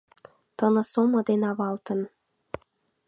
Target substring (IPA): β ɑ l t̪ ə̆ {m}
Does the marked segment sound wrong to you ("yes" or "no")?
yes